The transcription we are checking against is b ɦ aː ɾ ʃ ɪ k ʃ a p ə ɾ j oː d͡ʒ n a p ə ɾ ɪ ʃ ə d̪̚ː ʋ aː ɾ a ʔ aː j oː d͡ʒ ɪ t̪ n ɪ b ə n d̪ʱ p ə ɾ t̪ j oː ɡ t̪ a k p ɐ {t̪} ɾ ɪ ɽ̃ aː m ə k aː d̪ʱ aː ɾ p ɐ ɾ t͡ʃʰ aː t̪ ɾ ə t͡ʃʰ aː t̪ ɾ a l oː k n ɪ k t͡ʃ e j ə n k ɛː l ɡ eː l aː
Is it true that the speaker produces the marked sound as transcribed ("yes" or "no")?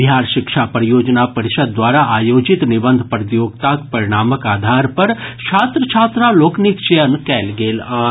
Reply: no